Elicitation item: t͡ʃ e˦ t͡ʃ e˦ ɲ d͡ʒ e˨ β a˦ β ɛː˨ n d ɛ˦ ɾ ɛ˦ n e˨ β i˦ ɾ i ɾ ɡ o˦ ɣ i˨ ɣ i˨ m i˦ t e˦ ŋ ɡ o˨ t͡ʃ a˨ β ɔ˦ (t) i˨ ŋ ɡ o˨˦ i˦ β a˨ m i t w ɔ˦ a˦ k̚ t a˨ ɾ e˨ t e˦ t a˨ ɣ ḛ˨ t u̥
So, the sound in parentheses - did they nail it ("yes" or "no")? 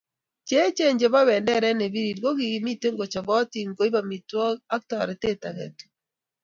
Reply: yes